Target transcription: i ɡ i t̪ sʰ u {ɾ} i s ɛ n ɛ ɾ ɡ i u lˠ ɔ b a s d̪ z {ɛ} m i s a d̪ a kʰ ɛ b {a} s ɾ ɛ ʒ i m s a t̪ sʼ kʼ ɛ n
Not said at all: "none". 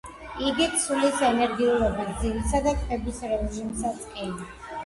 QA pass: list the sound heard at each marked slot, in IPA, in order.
l, i, i

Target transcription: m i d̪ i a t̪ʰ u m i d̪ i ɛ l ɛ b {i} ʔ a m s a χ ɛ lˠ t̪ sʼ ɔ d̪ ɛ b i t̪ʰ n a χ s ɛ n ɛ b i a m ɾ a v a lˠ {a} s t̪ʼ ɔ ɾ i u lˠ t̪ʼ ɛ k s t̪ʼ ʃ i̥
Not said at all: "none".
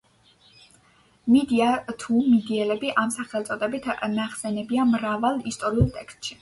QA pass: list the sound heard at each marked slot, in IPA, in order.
i, i

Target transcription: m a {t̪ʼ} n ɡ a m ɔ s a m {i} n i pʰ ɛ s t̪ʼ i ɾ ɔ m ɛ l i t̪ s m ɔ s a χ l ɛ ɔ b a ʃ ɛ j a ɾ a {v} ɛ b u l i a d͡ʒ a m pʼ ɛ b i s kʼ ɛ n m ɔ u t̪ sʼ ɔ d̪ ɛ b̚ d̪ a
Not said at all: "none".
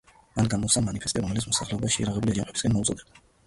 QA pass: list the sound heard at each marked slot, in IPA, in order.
none, a, ʁ

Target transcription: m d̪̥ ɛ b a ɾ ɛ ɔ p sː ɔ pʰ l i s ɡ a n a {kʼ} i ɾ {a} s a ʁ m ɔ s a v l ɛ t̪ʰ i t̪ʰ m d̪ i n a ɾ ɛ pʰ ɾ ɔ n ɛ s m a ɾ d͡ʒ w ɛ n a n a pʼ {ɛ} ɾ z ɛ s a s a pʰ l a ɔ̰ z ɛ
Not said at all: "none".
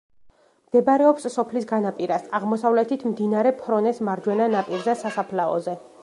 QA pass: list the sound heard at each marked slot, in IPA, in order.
pʼ, a, i

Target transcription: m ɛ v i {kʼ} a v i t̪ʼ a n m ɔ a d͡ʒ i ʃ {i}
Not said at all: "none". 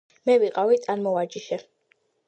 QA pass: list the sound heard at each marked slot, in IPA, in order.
qʼ, ɛ

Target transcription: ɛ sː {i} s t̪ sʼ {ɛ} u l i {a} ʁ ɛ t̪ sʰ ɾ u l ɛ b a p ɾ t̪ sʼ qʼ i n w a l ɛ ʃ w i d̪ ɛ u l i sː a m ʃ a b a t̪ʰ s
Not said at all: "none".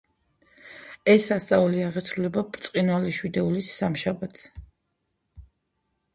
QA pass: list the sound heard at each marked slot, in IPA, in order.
a, a, a

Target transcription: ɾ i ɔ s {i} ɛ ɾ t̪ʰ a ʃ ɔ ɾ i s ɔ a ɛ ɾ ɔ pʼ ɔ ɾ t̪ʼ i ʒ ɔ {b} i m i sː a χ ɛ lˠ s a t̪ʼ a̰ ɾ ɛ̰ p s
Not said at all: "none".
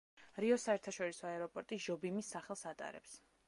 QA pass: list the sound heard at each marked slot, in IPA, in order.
a, b

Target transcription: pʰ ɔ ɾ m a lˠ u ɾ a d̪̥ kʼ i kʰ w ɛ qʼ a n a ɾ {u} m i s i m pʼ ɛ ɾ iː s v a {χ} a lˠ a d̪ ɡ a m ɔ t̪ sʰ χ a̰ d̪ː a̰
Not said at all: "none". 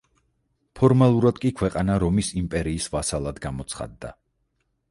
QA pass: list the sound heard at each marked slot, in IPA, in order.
ɔ, s

